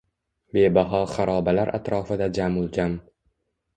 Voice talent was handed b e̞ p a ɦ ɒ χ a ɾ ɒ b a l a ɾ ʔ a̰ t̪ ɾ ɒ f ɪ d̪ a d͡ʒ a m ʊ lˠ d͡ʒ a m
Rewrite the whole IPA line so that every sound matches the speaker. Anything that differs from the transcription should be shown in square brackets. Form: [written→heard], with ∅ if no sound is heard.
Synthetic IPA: b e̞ [p→b] a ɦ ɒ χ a ɾ ɒ b a l a ɾ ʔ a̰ t̪ ɾ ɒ f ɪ d̪ a d͡ʒ a m ʊ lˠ d͡ʒ a m